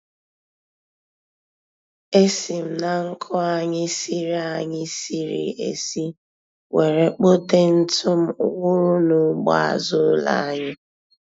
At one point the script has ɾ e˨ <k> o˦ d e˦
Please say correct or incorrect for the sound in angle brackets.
incorrect